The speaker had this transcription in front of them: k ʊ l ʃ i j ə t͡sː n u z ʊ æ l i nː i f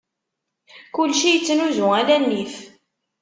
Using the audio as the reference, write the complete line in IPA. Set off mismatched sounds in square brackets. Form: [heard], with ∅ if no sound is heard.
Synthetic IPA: k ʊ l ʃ i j ə t͡sː n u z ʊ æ l [æ] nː i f